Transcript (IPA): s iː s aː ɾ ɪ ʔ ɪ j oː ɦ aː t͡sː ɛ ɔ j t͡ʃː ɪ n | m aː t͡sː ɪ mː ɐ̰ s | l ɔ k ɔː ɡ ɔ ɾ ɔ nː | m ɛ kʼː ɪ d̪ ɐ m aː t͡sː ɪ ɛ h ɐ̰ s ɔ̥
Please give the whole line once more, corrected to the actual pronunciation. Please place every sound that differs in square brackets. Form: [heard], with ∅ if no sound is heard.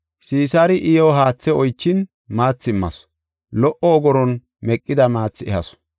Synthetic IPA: s iː s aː ɾ ɪ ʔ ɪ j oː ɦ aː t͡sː ɛ ɔ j t͡ʃː ɪ n | m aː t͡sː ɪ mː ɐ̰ s | l ɔ [ʔ] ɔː ɡ ɔ ɾ ɔ [n] | m ɛ kʼː ɪ d̪ ɐ m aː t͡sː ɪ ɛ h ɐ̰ s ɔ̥